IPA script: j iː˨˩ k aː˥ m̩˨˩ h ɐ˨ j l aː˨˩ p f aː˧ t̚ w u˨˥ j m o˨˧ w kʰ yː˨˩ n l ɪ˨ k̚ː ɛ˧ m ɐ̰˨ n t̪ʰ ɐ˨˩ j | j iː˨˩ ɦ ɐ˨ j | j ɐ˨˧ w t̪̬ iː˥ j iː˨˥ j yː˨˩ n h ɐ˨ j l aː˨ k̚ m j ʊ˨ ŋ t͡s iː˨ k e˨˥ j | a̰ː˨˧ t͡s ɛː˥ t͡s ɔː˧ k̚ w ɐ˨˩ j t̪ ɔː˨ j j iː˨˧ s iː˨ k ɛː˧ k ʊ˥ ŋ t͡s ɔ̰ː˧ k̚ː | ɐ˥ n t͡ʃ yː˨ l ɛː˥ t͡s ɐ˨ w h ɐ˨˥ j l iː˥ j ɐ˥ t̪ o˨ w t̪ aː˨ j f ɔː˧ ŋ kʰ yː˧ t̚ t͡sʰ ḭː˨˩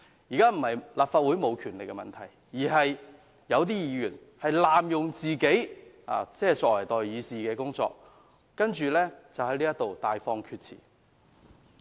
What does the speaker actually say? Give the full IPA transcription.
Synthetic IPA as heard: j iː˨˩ k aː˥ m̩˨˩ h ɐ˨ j l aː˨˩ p f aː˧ t̚ w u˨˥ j m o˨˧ w kʰ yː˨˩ n l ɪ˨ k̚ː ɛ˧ m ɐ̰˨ n t̪ʰ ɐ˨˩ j | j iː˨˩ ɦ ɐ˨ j | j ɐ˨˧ w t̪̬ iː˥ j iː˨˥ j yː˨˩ n h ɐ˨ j l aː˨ m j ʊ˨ ŋ t͡s iː˨ k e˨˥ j | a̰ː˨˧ t͡s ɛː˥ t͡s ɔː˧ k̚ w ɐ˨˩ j t̪ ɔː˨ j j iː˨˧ s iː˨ k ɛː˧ k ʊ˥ ŋ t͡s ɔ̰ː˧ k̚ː | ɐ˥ n t͡ʃ yː˨ l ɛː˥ t͡s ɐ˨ w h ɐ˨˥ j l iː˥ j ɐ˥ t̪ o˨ w t̪ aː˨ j f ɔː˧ ŋ kʰ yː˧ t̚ t͡sʰ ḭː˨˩